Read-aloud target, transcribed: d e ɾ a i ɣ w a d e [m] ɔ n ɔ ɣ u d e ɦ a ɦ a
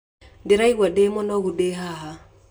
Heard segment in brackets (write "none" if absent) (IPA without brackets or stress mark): m